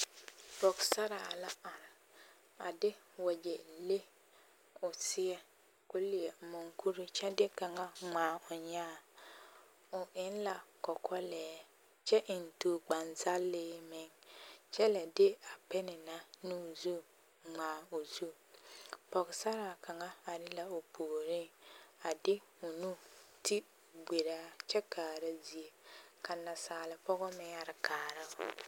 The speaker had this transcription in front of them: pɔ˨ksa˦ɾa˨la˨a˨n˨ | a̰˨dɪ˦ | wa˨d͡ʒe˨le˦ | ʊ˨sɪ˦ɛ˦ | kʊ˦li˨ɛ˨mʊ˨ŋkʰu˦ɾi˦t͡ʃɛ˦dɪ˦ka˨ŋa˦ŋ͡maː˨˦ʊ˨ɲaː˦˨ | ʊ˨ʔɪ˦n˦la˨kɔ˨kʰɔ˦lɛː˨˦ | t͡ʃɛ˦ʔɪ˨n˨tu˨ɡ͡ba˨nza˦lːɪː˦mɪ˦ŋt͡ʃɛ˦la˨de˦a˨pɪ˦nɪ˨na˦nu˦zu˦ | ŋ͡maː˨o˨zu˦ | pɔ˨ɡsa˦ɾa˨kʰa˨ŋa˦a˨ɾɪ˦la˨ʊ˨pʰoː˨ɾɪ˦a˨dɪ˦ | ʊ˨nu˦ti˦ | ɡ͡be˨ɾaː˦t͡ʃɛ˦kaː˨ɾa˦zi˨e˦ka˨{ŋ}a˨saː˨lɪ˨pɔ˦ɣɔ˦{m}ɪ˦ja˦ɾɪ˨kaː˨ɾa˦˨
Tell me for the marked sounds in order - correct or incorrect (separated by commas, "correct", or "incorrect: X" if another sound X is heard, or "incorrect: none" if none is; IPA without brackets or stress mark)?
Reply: incorrect: n, correct